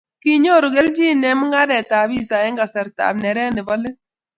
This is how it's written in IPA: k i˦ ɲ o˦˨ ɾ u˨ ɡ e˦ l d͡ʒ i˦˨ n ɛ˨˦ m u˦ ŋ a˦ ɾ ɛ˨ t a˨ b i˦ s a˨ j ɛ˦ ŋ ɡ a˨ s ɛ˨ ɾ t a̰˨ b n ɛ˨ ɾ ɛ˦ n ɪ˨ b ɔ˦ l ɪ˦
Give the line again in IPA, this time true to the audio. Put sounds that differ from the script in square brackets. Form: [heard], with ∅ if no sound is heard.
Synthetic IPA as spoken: k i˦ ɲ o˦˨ ɾ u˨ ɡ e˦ l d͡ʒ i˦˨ n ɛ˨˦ m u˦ ŋ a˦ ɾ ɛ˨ t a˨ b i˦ s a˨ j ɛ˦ ŋ ɡ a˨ s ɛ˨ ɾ t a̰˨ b n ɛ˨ ɾ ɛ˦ n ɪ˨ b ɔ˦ l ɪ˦